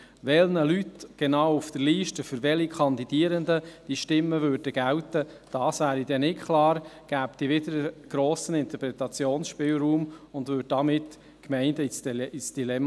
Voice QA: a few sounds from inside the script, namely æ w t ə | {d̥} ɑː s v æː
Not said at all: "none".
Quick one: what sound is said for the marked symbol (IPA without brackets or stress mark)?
d̥